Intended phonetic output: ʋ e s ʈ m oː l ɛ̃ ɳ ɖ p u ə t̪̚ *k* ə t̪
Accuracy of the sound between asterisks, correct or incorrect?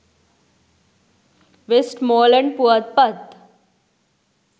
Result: incorrect